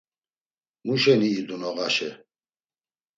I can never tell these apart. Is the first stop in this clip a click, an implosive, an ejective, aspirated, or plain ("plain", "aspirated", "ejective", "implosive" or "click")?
plain